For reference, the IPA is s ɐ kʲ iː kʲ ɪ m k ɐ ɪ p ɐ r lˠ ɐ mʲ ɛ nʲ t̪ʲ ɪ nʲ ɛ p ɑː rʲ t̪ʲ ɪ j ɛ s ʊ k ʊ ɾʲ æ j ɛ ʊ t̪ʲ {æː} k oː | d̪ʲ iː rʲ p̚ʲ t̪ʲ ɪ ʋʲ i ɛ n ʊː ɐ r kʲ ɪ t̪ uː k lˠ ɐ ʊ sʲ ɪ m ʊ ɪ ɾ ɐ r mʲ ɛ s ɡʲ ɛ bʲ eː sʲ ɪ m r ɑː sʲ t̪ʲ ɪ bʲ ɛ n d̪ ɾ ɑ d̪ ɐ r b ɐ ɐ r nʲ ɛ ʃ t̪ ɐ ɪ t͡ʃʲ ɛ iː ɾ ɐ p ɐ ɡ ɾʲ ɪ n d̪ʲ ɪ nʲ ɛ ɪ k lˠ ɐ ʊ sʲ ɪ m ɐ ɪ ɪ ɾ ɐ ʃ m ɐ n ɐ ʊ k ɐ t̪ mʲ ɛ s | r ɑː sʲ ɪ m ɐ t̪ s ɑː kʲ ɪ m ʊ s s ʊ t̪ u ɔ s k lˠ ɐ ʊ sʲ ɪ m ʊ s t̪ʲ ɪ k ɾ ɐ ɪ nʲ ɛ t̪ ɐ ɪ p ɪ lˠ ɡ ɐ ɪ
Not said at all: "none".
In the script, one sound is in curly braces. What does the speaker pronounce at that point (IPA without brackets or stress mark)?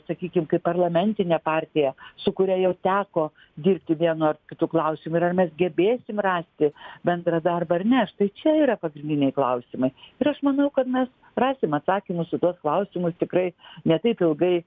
æː